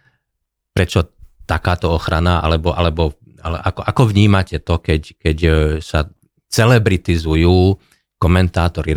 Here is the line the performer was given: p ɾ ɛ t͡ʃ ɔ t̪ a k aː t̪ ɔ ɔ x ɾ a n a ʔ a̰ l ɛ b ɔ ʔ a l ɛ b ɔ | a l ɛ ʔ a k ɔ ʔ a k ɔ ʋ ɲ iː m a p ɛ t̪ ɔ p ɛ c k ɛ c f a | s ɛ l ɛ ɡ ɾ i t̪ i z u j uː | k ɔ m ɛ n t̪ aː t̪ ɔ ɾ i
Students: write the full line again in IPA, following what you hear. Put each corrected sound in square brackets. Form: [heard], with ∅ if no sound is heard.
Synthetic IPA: p ɾ ɛ t͡ʃ ɔ t̪ a k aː t̪ ɔ ɔ x ɾ a n a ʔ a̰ l ɛ b ɔ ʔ a l ɛ b ɔ | a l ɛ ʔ a k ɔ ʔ a k ɔ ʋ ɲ iː m a [c] ɛ t̪ ɔ [k] ɛ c k ɛ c [s] a | [t͡s] ɛ l ɛ [b] ɾ i t̪ i z u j uː | k ɔ m ɛ n t̪ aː t̪ ɔ ɾ i